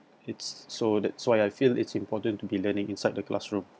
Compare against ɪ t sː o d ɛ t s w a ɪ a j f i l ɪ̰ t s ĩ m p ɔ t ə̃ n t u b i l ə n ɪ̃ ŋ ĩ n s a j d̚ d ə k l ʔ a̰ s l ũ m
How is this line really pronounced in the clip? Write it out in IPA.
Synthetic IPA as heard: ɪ t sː o d ɛ t s w a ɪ a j f i l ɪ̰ t s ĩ m p ɔ t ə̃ n t u b i l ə n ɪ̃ ŋ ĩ n s a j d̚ d ə k l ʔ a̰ s ɹ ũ m